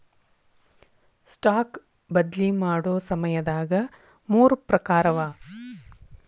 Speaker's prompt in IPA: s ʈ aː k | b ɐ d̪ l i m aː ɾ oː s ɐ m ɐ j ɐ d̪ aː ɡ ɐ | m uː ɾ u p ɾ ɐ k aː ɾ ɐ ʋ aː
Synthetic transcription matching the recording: s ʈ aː k | b ɐ d̪ l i m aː ɽ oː s ɐ m ɐ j ɐ d̪ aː ɡ ɐ | m uː ɾ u p ɾ ɐ k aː ɾ ɐ ʋ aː